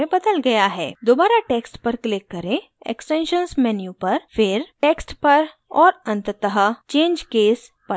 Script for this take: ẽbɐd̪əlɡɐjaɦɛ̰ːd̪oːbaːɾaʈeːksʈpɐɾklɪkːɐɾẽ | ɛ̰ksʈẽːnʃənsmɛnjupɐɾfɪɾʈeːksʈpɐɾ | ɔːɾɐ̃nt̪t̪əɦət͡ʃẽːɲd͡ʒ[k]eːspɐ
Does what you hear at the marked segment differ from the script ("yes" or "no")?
no